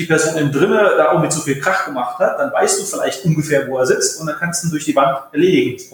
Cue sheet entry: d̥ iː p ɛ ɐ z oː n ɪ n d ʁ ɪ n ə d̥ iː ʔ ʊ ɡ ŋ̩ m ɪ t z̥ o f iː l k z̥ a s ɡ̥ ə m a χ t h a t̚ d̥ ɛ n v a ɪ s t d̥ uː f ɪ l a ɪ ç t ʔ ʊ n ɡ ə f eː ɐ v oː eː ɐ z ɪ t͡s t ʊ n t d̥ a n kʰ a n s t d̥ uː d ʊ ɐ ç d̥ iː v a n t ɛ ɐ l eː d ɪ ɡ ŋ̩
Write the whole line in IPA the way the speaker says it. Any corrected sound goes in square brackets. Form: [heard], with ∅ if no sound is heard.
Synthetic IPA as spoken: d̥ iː p ɛ ɐ z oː n ɪ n d ʁ ɪ n ə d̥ [aː] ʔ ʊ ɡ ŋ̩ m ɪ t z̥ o f iː l k [ʁ̥] a [χ] ɡ̥ ə m a χ t h a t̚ d̥ [a] n v a ɪ s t d̥ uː f ɪ l a ɪ ç t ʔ ʊ n ɡ ə f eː ɐ v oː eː ɐ z ɪ t͡s t ʊ n t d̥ a n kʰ a n s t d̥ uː d ʊ ɐ ç d̥ iː v a n t ɛ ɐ l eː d ɪ ɡ ŋ̩